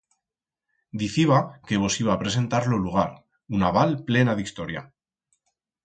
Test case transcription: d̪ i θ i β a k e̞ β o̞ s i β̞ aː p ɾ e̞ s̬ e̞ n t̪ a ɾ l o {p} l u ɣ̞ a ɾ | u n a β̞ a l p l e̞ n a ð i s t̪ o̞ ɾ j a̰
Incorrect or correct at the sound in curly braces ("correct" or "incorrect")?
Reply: incorrect